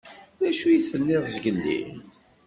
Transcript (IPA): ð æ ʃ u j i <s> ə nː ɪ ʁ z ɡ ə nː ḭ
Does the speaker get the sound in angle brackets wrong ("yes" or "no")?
yes